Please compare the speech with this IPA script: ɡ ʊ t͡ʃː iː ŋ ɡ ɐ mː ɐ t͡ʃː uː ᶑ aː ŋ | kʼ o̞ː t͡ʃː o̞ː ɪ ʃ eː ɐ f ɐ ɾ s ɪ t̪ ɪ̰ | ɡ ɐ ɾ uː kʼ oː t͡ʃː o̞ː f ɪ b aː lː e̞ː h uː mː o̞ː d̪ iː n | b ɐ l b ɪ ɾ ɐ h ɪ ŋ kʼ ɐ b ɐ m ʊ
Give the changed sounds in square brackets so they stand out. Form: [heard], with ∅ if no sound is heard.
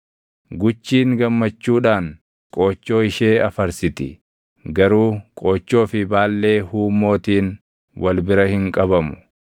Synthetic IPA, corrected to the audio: ɡ ʊ t͡ʃː iː ŋ ɡ ɐ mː ɐ t͡ʃː uː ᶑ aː ŋ | kʼ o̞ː t͡ʃː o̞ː ɪ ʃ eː ɐ f ɐ ɾ s ɪ t̪ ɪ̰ | ɡ ɐ ɾ uː kʼ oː t͡ʃː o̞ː f ɪ b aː lː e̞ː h uː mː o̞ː [t̪] iː n | [w] ɐ l b ɪ ɾ ɐ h ɪ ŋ kʼ ɐ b ɐ m ʊ